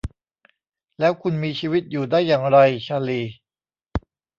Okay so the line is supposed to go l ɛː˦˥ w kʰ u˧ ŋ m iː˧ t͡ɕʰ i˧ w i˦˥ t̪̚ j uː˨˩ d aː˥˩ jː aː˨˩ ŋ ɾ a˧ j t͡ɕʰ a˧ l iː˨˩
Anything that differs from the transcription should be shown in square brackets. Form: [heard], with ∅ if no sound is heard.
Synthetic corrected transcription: l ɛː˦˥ w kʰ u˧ [n] m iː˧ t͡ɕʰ [iː˧] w i˦˥ t̪̚ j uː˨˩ d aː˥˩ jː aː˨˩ ŋ ɾ a˧ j t͡ɕʰ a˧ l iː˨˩